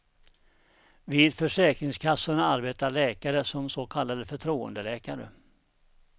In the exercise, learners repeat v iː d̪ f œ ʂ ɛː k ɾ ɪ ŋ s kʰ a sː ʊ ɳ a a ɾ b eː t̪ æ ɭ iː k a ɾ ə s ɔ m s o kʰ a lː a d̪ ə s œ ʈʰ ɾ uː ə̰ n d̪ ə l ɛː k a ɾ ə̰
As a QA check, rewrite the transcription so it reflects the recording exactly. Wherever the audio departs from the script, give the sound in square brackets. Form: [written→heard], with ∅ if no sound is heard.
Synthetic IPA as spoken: v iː d̪ f œ ʂ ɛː k ɾ ɪ ŋ s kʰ a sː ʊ ɳ a a ɾ b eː t̪ [æ→a] ɭ [iː→ɛː] k a ɾ ə s ɔ m s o kʰ a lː a d̪ ə [s→f] œ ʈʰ ɾ uː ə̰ n d̪ ə l ɛː k a ɾ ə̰

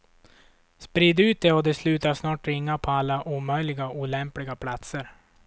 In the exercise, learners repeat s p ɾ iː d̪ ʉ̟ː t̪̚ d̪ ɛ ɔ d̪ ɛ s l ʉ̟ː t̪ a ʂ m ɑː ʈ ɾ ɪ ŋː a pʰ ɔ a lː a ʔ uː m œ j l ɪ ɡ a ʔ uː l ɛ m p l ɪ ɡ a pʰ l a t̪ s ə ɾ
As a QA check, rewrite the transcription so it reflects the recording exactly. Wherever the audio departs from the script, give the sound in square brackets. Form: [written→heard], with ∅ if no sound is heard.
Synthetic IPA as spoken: s p ɾ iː d̪ ʉ̟ː t̪̚ d̪ ɛ ɔ d̪ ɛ s l ʉ̟ː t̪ a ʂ [m→n] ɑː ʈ ɾ ɪ ŋː a pʰ ɔ a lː a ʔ uː m œ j l ɪ ɡ a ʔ uː l ɛ m p l ɪ ɡ a pʰ l a t̪ s ə ɾ

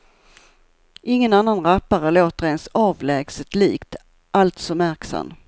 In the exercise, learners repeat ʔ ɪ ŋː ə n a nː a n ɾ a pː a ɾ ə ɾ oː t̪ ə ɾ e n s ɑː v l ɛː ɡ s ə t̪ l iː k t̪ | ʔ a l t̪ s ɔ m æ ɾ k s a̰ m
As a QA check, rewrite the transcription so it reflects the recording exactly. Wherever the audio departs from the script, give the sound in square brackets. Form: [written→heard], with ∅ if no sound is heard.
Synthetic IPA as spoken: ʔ ɪ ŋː ə n a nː a n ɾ a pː a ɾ ə [ɾ→l] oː t̪ ə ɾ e n s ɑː v l ɛː ɡ s ə t̪ l iː k t̪ | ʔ a l t̪ s ɔ m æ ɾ k s a̰ m

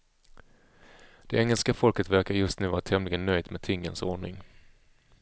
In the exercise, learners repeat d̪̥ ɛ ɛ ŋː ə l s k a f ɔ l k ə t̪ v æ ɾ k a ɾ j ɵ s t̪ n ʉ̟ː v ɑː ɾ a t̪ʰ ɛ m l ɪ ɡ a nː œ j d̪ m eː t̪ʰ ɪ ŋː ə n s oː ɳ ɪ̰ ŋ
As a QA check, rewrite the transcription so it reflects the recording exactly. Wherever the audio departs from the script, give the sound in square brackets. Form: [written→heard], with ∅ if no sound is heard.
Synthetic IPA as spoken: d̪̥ ɛ ɛ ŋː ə l s k a f ɔ l k ə t̪ v æ ɾ k a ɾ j ɵ s t̪ n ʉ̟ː v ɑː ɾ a t̪ʰ ɛ m l ɪ ɡ [a→ə] nː œ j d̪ m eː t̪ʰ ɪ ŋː ə n s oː ɳ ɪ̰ ŋ

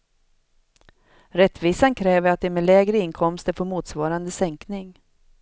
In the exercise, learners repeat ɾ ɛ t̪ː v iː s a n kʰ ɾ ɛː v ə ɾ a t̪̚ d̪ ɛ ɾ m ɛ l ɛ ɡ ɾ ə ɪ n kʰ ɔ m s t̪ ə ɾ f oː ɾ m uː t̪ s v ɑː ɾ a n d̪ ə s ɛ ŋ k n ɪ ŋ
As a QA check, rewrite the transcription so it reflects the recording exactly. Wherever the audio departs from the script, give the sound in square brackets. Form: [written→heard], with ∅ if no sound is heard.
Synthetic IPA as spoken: ɾ ɛ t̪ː v iː s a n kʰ ɾ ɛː v ə ɾ a t̪̚ d̪ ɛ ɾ m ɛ l [ɛ→ɛː] ɡ ɾ ə ɪ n kʰ ɔ m s t̪ ə ɾ f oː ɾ m uː t̪ s v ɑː ɾ a n d̪ ə s ɛ ŋ k n ɪ ŋ

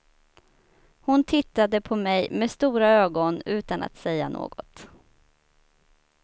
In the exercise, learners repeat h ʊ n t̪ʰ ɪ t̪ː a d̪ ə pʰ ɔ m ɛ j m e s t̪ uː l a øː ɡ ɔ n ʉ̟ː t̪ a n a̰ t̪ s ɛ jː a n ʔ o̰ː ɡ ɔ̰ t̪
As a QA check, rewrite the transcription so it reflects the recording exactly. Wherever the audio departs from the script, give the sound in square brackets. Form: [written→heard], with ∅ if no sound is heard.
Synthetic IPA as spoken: h ʊ n t̪ʰ ɪ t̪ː a d̪ ə pʰ ɔ m ɛ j m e s t̪ uː [l→ɾ] a øː ɡ ɔ n ʉ̟ː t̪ a n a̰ t̪ s ɛ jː a n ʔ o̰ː ɡ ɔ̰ t̪

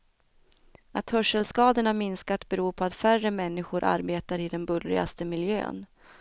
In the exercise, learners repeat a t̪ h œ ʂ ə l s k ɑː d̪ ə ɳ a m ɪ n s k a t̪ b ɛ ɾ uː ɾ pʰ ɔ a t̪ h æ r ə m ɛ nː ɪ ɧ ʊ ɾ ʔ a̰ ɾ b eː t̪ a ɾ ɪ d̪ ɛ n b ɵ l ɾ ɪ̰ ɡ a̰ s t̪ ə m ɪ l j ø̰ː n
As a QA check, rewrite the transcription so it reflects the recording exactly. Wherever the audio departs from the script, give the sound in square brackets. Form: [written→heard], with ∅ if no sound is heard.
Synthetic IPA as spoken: a t̪ h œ ʂ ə l s k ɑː d̪ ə ɳ a m ɪ n s k a t̪ b ɛ ɾ uː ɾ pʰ ɔ a t̪ [h→f] æ r ə m ɛ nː ɪ ɧ ʊ ɾ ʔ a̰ ɾ b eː t̪ a ɾ ɪ d̪ ɛ n b ɵ l ɾ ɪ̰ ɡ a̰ s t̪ ə m ɪ l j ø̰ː n

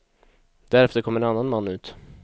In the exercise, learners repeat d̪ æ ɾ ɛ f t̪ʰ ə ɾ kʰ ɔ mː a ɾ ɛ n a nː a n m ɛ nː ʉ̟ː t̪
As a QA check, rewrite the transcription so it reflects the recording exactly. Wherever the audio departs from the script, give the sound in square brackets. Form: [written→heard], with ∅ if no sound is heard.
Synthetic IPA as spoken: d̪ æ ɾ ɛ f [t̪ʰ→t̪] ə ɾ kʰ ɔ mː [a→ə] ɾ ɛ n a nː a n m [ɛ→a] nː ʉ̟ː t̪

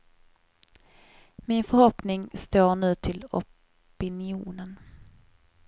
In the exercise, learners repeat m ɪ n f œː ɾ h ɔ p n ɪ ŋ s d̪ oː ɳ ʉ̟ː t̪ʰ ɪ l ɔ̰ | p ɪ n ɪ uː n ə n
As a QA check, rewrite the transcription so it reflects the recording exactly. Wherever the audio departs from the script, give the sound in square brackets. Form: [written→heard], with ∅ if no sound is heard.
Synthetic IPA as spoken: m ɪ n f [œː→œ] ɾ h ɔ p n ɪ ŋ s [d̪→t̪] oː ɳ ʉ̟ː t̪ʰ ɪ l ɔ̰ | p ɪ n ɪ uː n ə n

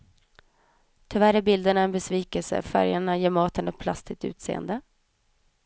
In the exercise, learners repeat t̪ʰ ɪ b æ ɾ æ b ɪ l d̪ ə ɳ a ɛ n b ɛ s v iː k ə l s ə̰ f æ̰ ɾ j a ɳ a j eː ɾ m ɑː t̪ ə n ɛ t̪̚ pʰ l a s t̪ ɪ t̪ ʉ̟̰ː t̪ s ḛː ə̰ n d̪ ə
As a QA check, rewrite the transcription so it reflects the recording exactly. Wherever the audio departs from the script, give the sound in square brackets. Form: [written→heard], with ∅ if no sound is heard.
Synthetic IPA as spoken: t̪ʰ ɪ [b→v] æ ɾ æ b ɪ l d̪ ə ɳ a ɛ n b ɛ s v iː k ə l s ə̰ f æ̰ ɾ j a ɳ a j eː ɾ m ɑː t̪ ə n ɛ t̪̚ pʰ l a s t̪ ɪ t̪ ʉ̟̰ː t̪ s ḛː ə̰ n d̪ ə

